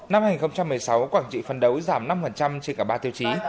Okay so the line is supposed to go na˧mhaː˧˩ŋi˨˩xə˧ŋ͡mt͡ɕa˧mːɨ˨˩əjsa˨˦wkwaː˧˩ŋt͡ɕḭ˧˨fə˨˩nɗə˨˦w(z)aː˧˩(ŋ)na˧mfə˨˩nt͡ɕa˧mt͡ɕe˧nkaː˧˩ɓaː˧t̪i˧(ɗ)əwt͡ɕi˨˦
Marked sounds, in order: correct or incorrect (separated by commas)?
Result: correct, incorrect, incorrect